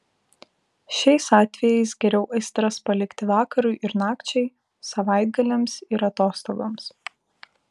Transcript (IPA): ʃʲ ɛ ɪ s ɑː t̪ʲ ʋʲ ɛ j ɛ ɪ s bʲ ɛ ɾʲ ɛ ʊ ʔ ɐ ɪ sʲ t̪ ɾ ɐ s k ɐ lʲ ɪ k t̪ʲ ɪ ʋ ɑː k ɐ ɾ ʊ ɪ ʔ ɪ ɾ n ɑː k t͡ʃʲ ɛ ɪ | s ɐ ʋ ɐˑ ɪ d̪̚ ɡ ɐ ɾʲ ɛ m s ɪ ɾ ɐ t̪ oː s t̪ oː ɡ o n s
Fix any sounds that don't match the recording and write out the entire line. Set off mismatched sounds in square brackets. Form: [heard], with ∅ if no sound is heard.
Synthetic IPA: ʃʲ ɛ ɪ s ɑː t̪ʲ ʋʲ ɛ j ɛ ɪ s [ɡʲ] ɛ ɾʲ ɛ ʊ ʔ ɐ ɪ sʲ t̪ ɾ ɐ s [p] ɐ lʲ ɪ k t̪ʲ ɪ ʋ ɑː k ɐ ɾ ʊ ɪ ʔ ɪ ɾ n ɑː k t͡ʃʲ ɛ ɪ | s ɐ ʋ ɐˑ ɪ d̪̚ ɡ ɐ [lʲ] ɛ m s ɪ ɾ ɐ t̪ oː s t̪ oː ɡ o [m] s

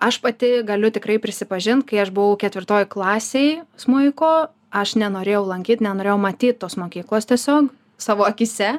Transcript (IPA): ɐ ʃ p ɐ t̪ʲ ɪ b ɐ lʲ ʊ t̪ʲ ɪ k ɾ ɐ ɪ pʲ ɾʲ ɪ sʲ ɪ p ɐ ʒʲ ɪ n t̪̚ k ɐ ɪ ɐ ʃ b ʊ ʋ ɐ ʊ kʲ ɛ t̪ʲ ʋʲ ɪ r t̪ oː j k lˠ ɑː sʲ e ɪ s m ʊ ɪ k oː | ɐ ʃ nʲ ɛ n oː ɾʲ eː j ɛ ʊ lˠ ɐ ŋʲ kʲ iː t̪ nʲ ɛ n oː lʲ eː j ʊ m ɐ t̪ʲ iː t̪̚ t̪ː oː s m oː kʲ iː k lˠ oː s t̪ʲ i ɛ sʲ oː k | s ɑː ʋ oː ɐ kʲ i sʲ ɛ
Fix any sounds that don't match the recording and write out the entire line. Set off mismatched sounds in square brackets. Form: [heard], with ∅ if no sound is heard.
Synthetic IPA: ɐ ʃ p ɐ t̪ʲ ɪ [ɡ] ɐ lʲ ʊ t̪ʲ ɪ k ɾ ɐ ɪ pʲ ɾʲ ɪ sʲ ɪ p ɐ ʒʲ ɪ n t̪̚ k ɐ ɪ ɐ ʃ b ʊ ʋ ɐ ʊ kʲ ɛ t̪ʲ ʋʲ ɪ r t̪ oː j k lˠ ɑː sʲ e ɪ s m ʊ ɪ k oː | ɐ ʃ nʲ ɛ n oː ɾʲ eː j ɛ ʊ lˠ ɐ ŋʲ kʲ iː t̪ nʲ ɛ n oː [ɾʲ] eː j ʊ m ɐ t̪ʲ iː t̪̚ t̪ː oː s m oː kʲ iː k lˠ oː s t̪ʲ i ɛ sʲ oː k | s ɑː ʋ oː ɐ kʲ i sʲ ɛ

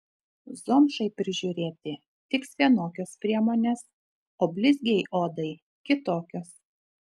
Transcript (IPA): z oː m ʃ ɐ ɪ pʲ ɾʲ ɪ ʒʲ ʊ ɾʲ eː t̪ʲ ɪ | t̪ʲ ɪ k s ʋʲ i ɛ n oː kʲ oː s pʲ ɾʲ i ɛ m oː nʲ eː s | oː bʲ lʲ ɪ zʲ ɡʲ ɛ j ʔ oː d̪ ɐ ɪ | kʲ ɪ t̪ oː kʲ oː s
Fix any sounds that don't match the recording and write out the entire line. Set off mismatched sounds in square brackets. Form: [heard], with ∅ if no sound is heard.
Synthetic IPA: z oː m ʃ ɐ ɪ pʲ ɾʲ ɪ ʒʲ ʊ ɾʲ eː t̪ʲ ɪ | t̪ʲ ɪ k s ʋʲ i ɛ n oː kʲ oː s pʲ ɾʲ i ɛ m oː nʲ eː s | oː bʲ lʲ ɪ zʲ ɡʲ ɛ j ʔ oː d̪ ɐ ɪ | kʲ ɪ t̪ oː kʲ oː s

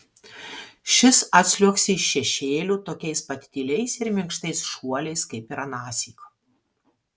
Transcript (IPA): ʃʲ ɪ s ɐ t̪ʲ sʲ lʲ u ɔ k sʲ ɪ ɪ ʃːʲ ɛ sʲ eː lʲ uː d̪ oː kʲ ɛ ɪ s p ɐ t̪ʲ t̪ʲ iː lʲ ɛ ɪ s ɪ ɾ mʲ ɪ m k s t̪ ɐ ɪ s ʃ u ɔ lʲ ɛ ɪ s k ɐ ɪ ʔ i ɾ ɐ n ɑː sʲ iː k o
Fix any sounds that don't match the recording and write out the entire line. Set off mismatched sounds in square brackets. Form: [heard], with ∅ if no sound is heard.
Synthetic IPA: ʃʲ ɪ s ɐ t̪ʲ sʲ lʲ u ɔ k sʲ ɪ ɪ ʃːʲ ɛ [ʃʲ] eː lʲ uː [t̪] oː kʲ ɛ ɪ s p ɐ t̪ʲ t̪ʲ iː lʲ ɛ ɪ s ɪ ɾ mʲ ɪ [ŋ] k [ʃ] t̪ ɐ ɪ s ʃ u ɔ lʲ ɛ ɪ s k ɐ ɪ [p] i ɾ ɐ n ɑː sʲ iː k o

